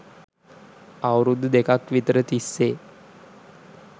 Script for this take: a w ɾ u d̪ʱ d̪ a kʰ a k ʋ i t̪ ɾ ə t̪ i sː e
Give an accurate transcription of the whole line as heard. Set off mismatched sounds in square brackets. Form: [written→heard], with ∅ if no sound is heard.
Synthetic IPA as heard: a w ɾ u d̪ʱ d̪ [a→e] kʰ a k ʋ i t̪ ɾ ə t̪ i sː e